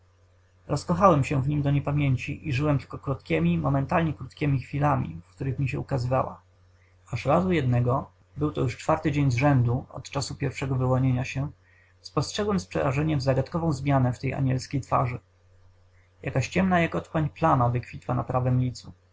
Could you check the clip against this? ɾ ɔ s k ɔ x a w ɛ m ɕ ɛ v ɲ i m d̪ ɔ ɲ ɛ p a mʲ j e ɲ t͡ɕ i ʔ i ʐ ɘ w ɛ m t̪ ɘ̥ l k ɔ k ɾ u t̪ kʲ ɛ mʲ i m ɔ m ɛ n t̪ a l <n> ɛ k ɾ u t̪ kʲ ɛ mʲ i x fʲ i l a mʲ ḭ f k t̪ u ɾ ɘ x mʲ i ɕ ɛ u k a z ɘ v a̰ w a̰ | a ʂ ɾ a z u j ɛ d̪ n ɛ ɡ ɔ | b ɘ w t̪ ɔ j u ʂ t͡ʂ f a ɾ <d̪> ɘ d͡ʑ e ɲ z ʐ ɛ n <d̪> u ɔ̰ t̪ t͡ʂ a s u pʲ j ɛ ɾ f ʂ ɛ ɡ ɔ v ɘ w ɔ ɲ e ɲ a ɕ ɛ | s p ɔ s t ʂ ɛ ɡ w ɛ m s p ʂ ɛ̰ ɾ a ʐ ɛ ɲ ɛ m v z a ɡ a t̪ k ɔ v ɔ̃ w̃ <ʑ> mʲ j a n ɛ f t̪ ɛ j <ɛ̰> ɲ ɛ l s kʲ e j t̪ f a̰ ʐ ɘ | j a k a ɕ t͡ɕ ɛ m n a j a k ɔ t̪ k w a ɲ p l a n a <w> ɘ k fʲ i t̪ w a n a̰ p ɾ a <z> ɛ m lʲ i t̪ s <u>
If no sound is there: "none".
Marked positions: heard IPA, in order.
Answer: ɲ, t̪, d̪, z, a̰, v, v, u

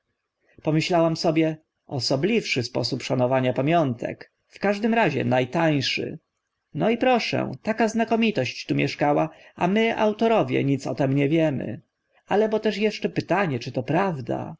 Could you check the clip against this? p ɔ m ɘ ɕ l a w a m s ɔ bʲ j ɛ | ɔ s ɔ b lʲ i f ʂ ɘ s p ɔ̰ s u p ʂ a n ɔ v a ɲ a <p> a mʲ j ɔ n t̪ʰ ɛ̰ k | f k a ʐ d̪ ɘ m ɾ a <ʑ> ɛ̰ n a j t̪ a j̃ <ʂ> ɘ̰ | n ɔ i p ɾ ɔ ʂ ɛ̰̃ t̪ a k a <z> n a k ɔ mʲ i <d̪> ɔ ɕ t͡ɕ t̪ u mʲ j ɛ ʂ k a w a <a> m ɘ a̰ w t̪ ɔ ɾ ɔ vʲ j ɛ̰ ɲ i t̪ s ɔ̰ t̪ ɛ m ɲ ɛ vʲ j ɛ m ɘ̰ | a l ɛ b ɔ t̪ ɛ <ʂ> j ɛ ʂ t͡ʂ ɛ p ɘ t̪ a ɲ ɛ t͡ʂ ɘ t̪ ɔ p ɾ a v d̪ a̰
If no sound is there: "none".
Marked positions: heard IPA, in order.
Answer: p, ʑ, ʂ, z, t̪, a, ʂ

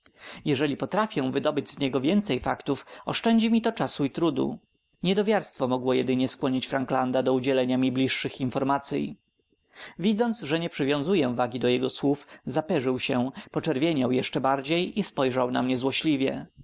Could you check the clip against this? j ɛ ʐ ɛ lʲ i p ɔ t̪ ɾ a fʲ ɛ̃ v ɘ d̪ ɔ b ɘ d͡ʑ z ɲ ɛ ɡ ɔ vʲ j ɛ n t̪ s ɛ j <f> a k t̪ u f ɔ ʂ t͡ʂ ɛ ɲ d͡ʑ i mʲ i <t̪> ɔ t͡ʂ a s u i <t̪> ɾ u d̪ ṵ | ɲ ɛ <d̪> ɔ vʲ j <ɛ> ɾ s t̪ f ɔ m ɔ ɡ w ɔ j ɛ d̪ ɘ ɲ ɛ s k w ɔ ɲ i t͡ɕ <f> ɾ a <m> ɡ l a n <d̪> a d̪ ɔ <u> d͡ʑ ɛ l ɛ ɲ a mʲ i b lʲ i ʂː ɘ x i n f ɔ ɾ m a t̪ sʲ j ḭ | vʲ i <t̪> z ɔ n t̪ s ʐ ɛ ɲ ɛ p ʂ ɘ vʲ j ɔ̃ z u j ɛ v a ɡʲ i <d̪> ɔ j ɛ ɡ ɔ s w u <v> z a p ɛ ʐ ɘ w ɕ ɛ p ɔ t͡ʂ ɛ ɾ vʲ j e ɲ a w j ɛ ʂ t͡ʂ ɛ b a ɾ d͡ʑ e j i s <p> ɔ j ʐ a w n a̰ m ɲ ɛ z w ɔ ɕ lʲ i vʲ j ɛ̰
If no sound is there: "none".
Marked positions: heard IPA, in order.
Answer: f, t̪, t̪, d̪, a, f, ŋ, d̪, u, d̪, d̪, f, p

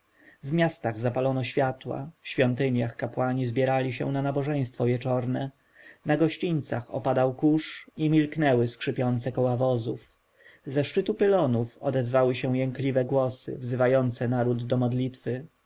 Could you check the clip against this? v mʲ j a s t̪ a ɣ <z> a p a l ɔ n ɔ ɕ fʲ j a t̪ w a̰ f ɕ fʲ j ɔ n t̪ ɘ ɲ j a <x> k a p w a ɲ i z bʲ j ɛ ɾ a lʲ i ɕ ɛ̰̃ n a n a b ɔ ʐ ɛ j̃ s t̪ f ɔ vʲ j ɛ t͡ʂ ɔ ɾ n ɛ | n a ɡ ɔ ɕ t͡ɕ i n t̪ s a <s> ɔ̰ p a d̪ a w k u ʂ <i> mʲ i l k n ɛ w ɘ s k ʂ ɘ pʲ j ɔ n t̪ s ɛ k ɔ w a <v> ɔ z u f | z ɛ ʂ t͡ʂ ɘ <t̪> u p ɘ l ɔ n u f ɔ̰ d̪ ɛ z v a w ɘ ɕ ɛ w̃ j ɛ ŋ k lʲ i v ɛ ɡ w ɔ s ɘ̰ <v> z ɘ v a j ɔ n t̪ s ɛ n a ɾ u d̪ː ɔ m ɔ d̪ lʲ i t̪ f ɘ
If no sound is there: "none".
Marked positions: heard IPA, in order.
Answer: z, x, x, i, v, t̪, v

